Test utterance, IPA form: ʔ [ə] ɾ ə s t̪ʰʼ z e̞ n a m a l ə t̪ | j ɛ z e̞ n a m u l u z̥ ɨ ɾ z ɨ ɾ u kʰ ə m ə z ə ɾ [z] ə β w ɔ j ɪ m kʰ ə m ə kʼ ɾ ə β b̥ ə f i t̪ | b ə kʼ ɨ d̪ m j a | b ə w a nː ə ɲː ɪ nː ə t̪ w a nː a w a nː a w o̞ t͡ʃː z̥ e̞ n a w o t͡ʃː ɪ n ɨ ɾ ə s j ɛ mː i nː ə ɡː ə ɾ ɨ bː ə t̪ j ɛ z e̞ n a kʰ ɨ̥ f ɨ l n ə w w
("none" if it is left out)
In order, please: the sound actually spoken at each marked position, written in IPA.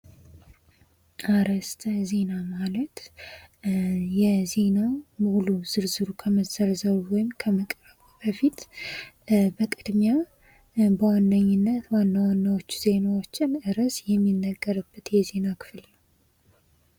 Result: a, z

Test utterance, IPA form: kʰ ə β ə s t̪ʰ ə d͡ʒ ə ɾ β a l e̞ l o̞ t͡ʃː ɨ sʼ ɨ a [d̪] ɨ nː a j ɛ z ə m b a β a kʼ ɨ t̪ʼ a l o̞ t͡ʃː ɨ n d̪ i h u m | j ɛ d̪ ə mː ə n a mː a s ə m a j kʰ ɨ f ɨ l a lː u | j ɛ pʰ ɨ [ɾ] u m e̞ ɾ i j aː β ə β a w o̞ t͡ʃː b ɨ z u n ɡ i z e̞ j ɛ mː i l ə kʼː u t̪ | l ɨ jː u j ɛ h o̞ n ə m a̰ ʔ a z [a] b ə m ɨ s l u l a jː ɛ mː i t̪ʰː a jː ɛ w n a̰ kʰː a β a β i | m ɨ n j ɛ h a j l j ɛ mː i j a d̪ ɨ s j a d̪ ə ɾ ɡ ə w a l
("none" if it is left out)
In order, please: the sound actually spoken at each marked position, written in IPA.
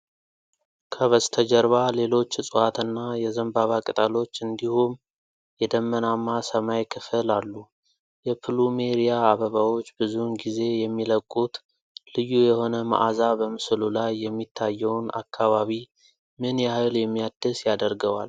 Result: t̪, l, a

